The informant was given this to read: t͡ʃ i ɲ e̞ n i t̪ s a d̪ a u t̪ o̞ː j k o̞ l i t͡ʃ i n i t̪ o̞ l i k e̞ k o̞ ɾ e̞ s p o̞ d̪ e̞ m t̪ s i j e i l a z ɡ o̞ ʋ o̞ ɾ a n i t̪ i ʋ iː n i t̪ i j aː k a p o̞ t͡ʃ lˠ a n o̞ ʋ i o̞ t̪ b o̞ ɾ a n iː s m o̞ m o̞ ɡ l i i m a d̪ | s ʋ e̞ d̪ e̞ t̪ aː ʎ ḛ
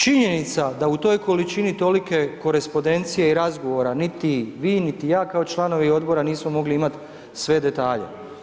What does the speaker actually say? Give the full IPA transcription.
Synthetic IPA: t͡ʃ i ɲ e̞ n i t̪ s a d̪ a u t̪ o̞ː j k o̞ l i t͡ʃ i n i t̪ o̞ l i k e̞ k o̞ ɾ e̞ s p o̞ d̪ e̞ n t̪ s i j e i ɾ a z ɡ o̞ ʋ o̞ ɾ a n i t̪ i ʋ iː n i t̪ i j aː k a o̞ t͡ʃ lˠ a n o̞ ʋ i o̞ d̪ b o̞ ɾ a n iː s m o̞ m o̞ ɡ l i i m a t̪ | s ʋ e̞ d̪ e̞ t̪ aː ʎ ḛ